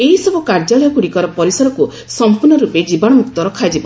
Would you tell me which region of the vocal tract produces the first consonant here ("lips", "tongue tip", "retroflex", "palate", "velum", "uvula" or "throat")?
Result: throat